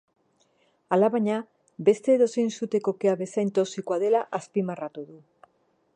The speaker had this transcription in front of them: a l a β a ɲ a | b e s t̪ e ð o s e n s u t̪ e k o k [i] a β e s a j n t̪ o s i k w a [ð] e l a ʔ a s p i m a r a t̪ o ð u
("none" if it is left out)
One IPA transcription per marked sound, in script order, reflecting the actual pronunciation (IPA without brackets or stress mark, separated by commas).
e, ð